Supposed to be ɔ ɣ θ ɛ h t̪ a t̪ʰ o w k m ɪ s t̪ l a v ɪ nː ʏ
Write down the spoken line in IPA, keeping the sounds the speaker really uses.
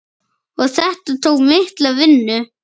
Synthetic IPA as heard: ɔ ɣ θ ɛ h t̪ a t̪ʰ o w k m ɪ h t̪ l a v ɪ nː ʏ